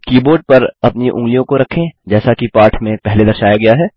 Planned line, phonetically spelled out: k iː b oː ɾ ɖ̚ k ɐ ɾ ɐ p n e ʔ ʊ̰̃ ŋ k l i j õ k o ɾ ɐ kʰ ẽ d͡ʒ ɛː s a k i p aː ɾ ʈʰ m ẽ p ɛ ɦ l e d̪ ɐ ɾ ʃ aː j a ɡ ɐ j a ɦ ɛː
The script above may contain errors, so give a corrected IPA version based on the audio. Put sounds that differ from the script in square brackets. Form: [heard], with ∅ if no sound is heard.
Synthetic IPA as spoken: k iː b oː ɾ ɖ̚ [p] ɐ ɾ ɐ p n [i] ʔ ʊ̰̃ ŋ [ɡ] l i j õ k o ɾ ɐ kʰ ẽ d͡ʒ ɛː s a k i p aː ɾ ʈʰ m ẽ p ɛ ɦ l e d̪ ɐ ɾ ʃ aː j a ɡ ɐ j a ɦ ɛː